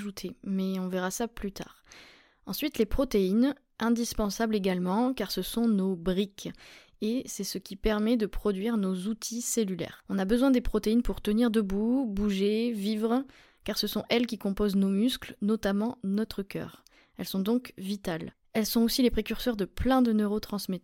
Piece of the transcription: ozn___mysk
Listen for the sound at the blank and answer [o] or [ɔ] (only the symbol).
o